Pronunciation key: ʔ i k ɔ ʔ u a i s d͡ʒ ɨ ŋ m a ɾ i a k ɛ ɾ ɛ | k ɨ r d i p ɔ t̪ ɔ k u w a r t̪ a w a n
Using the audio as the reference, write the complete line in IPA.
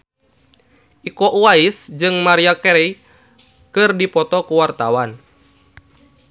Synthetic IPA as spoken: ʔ i k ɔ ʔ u a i s d͡ʒ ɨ ŋ m a ɾ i a k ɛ ɾ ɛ | k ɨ r d i p ɔ t̪ ɔ k u w a r t̪ a w a n